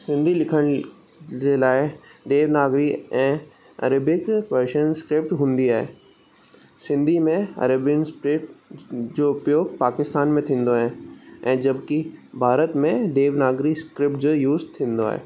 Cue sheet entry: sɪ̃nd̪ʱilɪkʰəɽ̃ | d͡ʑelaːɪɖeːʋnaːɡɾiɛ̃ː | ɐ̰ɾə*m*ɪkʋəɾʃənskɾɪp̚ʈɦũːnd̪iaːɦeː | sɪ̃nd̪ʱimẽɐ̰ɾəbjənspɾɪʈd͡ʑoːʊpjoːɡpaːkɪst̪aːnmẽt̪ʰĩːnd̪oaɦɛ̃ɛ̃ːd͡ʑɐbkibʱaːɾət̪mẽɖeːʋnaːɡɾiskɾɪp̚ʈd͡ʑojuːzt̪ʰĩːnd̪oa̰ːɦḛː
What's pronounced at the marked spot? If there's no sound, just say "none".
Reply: b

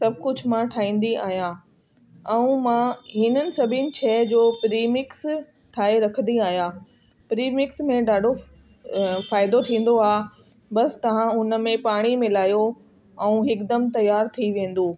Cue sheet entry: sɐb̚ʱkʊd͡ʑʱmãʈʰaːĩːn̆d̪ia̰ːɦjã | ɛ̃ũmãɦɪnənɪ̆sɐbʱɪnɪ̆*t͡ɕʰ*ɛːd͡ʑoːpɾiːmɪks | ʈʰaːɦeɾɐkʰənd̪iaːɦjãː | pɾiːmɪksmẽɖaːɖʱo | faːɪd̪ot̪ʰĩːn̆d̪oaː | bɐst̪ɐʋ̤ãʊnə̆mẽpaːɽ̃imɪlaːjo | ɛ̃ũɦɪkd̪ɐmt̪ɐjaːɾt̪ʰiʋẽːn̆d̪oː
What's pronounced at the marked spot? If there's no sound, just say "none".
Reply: t͡ɕʰ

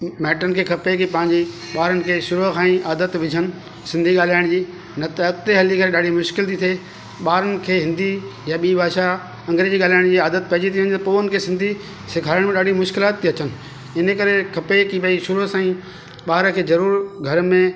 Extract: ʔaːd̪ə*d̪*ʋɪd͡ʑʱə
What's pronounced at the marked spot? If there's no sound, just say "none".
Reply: t̪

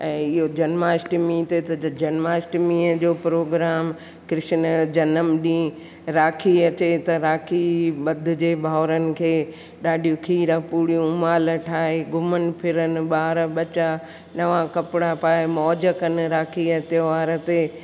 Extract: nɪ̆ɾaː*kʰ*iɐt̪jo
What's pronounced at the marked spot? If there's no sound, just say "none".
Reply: kʰ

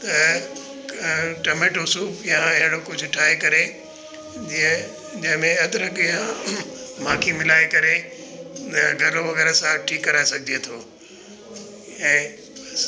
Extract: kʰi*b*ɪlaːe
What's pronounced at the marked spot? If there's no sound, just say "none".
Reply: m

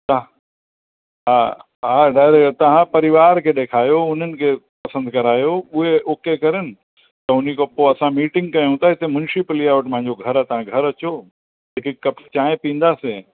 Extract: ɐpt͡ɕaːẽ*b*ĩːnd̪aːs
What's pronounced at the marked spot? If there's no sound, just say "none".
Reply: p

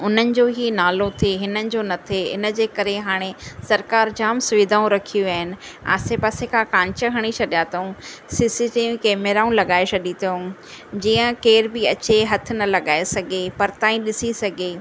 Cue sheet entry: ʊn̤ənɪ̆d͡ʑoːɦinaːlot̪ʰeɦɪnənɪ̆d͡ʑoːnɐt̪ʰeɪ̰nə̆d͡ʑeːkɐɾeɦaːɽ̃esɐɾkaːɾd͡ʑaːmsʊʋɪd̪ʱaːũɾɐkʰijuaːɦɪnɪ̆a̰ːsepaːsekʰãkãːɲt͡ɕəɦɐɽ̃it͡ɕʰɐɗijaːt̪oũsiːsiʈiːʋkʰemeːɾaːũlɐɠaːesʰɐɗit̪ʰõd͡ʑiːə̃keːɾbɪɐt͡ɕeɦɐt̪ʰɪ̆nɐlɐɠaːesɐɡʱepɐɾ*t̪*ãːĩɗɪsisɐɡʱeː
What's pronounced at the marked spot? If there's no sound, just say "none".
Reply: t̪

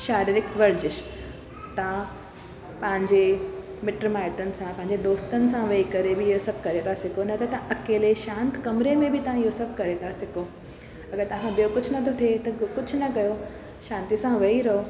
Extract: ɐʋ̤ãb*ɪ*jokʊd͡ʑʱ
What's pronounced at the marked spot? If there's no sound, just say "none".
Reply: i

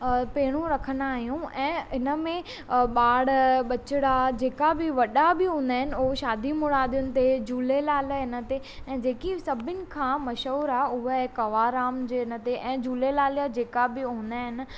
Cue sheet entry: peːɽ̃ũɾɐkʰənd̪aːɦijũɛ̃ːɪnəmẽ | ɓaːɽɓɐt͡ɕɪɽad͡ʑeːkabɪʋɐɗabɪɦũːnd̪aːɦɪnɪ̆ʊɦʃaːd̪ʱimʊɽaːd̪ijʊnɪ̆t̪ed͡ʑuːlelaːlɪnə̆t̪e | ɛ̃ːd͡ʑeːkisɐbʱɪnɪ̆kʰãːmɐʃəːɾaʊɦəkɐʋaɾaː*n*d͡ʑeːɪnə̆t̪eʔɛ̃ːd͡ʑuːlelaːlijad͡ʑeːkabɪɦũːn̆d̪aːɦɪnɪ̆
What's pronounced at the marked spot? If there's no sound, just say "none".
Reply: m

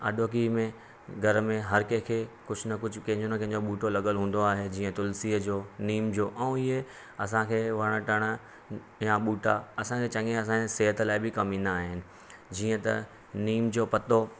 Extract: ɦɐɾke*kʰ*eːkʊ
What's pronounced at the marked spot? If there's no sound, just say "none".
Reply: kʰ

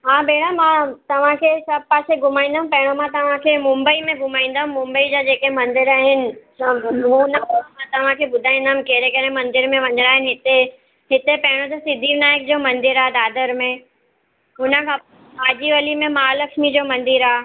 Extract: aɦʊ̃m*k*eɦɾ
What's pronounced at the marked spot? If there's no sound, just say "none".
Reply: k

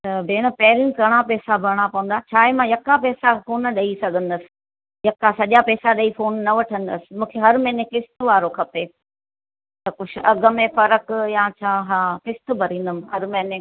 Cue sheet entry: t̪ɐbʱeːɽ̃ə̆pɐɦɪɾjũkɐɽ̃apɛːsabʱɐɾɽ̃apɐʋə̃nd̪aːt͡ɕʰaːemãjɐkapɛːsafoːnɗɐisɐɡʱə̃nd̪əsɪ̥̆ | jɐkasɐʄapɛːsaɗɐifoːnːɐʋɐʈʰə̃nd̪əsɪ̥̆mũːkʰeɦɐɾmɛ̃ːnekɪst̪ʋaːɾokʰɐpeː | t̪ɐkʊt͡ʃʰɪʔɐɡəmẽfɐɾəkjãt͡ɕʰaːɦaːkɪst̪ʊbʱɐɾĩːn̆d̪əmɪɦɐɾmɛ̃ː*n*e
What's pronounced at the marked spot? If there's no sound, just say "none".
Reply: n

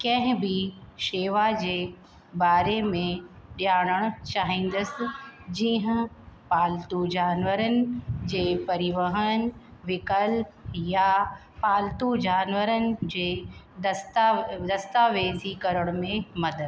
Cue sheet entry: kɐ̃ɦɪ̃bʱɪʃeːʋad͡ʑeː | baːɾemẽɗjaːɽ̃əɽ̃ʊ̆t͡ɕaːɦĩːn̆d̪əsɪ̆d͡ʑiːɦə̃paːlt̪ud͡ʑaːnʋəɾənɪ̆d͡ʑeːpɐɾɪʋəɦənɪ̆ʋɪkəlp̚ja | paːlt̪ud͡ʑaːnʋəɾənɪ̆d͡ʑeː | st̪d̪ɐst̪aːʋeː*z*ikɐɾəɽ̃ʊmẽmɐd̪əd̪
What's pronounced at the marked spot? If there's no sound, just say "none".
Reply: z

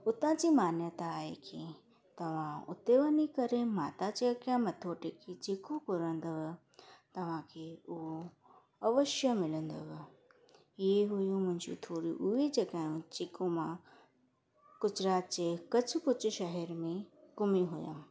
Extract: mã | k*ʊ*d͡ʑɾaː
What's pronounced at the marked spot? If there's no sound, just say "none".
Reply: ʊ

